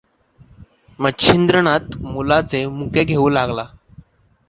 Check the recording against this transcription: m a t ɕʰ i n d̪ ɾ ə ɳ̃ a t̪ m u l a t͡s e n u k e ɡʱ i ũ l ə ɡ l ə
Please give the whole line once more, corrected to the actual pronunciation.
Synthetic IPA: m ə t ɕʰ i n d̪ ɾ ə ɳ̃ a t̪ m u l a t͡s e m u k e ɡʱ e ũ l a ɡ l a